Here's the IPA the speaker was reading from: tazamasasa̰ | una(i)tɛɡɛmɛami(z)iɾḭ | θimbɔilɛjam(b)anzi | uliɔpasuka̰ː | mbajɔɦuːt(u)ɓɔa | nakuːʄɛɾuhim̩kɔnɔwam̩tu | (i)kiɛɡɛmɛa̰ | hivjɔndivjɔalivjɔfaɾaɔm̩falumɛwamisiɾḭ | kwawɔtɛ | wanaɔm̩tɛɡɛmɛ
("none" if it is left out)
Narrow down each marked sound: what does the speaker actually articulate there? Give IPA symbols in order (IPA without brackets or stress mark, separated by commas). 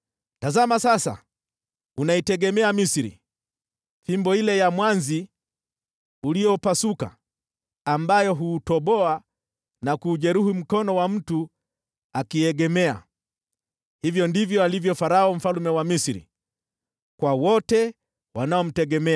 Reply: i, s, w, ɔ, a